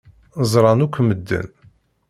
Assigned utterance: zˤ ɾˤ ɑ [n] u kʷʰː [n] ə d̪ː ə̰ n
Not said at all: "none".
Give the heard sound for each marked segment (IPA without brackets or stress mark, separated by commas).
n, m